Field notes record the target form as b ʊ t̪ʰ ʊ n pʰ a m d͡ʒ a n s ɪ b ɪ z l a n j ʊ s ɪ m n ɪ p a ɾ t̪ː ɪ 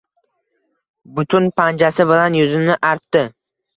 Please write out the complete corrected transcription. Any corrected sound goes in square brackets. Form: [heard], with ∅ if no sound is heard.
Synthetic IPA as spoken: b ʊ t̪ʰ ʊ n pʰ a [n] d͡ʒ a [∅] s ɪ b ɪ [∅] l a n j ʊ [z] ɪ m n ɪ [ʔ] a ɾ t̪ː ɪ